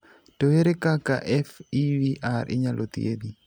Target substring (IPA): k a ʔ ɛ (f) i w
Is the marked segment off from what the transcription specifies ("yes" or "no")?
no